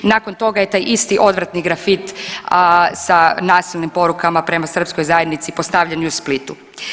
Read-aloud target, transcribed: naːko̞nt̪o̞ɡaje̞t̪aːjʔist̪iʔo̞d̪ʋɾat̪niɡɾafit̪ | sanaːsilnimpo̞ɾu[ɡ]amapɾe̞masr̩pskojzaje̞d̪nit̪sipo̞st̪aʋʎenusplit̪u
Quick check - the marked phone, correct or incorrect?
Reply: incorrect